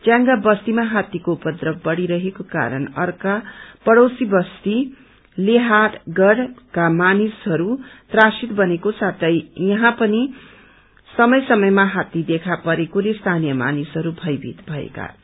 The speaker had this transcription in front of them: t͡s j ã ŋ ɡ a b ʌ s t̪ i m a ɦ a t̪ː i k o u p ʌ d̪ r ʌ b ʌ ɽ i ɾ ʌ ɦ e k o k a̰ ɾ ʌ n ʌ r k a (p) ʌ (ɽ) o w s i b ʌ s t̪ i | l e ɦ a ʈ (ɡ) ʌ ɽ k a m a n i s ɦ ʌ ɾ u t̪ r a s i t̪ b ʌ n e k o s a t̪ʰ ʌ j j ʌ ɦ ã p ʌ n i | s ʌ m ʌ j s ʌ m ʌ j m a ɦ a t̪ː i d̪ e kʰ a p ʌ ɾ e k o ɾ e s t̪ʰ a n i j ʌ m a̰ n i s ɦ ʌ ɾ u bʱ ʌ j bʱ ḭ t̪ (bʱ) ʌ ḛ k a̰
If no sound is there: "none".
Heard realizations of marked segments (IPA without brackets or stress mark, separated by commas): p, ɽ, ɡ, bʱ